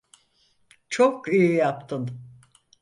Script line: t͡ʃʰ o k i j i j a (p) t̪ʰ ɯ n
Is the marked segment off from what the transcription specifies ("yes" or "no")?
no